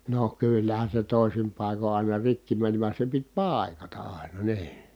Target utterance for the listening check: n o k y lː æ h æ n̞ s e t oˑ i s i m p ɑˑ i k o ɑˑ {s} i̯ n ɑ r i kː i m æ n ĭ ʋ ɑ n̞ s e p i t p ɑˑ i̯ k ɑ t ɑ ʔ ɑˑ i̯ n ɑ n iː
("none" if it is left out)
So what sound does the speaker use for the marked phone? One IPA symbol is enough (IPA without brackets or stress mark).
none